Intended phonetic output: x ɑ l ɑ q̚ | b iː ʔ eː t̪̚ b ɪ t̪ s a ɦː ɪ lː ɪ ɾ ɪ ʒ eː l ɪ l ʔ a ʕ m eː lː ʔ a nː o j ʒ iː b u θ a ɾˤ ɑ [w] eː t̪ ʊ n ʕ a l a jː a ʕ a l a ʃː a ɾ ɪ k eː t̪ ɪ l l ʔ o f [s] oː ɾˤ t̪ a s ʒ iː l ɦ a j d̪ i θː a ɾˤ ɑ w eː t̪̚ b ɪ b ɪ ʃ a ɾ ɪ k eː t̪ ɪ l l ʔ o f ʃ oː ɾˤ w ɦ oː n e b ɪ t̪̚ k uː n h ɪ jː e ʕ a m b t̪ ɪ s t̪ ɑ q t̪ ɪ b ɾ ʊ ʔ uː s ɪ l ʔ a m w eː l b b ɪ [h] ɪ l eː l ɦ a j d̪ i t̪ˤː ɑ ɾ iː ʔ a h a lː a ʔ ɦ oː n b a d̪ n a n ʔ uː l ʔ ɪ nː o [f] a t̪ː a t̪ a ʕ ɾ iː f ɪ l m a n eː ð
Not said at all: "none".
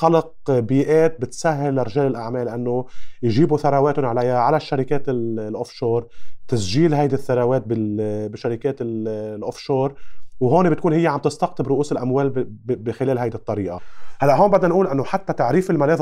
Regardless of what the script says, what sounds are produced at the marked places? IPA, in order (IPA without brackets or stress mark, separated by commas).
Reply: w, ʃ, x, ħ